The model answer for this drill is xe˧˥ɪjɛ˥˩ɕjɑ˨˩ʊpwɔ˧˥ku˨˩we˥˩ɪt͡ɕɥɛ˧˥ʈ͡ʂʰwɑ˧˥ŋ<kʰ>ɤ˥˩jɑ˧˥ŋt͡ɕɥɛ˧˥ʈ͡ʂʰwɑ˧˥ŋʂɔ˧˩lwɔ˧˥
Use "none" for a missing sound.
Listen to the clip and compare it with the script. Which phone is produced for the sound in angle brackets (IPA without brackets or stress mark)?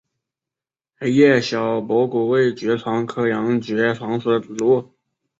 kʰ